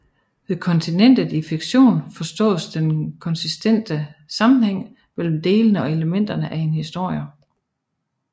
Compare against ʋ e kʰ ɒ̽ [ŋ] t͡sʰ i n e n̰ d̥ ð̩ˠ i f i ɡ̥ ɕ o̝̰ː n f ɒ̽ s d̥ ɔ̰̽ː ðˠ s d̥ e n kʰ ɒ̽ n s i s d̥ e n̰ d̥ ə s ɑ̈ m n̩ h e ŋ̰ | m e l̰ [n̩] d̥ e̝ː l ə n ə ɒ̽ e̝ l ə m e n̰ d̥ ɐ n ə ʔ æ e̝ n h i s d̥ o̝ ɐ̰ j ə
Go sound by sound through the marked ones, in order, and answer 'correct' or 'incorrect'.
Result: incorrect: n, incorrect: m̩

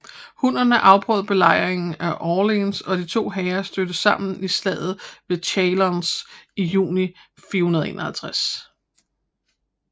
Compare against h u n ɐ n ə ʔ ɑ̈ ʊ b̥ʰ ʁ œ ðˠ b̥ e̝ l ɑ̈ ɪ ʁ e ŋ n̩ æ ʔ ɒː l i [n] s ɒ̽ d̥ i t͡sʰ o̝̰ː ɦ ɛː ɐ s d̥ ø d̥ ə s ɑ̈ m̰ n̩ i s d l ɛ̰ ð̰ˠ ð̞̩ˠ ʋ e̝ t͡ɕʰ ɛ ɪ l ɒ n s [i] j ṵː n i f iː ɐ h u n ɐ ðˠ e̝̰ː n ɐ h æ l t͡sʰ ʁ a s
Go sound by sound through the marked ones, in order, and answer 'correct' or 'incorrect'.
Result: correct, correct

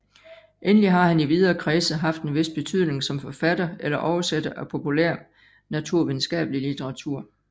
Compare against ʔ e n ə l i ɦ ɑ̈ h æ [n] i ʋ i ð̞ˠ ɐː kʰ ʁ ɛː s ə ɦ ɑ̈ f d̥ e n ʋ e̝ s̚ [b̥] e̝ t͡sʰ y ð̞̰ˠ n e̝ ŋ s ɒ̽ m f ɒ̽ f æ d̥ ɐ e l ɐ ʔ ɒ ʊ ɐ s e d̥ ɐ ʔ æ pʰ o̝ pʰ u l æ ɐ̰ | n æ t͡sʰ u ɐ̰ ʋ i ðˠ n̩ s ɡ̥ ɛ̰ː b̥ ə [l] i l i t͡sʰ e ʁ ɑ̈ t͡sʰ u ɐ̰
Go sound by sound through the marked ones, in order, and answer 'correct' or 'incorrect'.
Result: correct, correct, correct

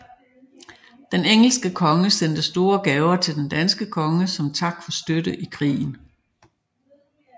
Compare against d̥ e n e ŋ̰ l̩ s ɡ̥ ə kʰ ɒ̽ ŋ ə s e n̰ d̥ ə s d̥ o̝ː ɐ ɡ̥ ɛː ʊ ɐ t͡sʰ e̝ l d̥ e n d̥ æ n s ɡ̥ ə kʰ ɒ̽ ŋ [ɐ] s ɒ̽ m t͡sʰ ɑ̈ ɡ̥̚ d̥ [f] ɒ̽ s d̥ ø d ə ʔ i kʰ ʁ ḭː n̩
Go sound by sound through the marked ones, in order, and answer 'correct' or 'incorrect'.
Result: incorrect: ə, correct

